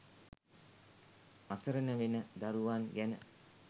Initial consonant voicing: voiceless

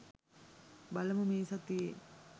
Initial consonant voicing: voiced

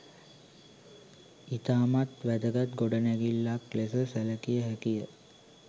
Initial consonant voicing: voiceless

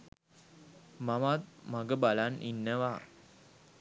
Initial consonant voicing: voiced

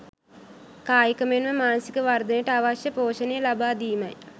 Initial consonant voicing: voiceless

